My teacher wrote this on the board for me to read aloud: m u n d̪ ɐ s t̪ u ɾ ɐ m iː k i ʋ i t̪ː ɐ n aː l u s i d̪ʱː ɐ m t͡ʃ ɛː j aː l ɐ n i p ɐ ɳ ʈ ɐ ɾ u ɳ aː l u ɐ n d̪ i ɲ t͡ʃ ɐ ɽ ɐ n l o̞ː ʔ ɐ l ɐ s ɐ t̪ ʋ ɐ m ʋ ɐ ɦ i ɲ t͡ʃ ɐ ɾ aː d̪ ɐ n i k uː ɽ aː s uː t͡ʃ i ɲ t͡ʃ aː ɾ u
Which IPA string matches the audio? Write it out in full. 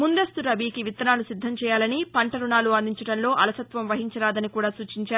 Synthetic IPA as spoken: m u n d̪ ɐ s t̪ u ɾ ɐ b iː k i ʋ i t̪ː ɐ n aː l u s i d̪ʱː ɐ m t͡ʃ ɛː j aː l ɐ n i p ɐ ɳ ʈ ɐ ɾ u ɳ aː l u ɐ n d̪ i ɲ t͡ʃ ɐ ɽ ɐ n l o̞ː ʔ ɐ l ɐ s ɐ t̪ ʋ ɐ m ʋ ɐ ɦ i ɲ t͡ʃ ɐ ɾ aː d̪ ɐ n i k uː ɽ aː s uː t͡ʃ i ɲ t͡ʃ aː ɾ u